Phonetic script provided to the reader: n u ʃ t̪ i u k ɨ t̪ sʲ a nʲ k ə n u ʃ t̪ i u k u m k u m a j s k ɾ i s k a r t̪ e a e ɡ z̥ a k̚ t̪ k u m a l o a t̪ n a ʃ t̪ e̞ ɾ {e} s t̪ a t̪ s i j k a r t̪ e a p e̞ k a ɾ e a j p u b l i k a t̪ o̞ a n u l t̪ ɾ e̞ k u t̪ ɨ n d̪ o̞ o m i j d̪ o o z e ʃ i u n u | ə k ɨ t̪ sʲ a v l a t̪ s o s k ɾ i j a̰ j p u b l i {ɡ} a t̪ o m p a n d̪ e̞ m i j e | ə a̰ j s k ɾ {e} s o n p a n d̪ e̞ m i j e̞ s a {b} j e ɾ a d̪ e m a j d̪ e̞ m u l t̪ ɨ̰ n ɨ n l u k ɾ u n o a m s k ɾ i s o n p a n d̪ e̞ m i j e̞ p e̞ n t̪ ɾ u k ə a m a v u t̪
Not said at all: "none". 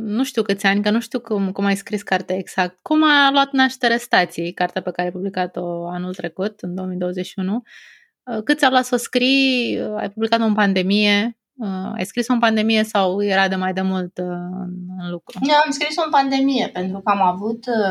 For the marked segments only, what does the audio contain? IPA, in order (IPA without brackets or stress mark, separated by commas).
e, k, i, w